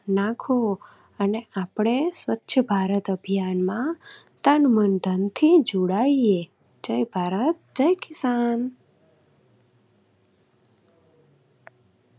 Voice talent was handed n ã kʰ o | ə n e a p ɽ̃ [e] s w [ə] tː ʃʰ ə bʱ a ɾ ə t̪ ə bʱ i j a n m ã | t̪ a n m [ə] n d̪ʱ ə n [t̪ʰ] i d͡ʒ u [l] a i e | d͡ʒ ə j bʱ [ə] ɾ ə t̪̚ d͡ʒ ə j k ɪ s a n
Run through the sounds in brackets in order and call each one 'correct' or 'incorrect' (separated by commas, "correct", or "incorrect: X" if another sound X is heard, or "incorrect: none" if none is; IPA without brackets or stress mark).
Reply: correct, correct, correct, correct, incorrect: ɽ, incorrect: a